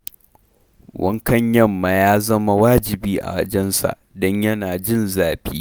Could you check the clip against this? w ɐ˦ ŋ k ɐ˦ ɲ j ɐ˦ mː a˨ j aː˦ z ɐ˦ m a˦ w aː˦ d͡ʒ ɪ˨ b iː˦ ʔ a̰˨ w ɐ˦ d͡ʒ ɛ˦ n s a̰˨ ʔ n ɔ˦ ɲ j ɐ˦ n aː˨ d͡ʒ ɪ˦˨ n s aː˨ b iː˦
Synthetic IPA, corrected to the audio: w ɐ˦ ŋ k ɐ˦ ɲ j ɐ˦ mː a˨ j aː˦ z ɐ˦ m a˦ w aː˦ d͡ʒ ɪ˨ b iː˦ ʔ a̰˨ w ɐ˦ d͡ʒ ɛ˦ n s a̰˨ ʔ d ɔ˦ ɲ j ɐ˦ n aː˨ d͡ʒ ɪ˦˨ n z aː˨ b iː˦